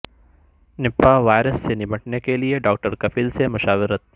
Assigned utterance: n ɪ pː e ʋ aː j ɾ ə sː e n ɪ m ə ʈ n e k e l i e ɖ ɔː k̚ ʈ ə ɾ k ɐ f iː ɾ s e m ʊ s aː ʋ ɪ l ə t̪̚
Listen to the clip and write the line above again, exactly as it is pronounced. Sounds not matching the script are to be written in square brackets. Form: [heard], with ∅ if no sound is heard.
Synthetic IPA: n ɪ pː [a] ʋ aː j ɾ ə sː e n ɪ m ə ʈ n e k e l i e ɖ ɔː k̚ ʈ ə ɾ k ɐ f iː [l] s e m ʊ [ʃ] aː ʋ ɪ [ɾ] ə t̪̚